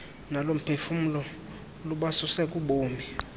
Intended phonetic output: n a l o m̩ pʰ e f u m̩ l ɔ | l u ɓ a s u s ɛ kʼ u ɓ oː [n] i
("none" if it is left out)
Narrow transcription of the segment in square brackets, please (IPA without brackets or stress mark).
m